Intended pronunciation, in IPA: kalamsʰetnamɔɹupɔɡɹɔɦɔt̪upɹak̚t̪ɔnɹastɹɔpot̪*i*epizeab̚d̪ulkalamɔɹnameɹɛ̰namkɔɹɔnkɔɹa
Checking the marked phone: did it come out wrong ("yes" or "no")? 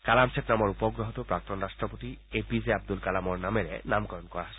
no